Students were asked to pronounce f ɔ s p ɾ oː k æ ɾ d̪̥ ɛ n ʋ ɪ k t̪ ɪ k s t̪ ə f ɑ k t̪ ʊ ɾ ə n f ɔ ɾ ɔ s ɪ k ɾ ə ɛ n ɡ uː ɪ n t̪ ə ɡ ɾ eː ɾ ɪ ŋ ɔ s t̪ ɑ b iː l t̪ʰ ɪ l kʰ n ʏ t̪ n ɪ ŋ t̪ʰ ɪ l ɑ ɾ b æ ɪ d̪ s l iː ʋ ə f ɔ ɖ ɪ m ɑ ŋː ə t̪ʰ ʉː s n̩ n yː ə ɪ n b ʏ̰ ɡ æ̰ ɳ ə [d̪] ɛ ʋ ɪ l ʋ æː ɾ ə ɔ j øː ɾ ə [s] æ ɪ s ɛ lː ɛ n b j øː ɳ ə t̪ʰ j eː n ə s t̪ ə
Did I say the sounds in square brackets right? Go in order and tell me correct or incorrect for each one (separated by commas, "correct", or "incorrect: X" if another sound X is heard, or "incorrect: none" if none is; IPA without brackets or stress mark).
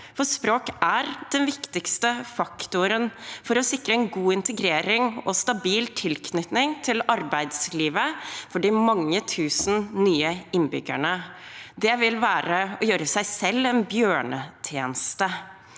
correct, correct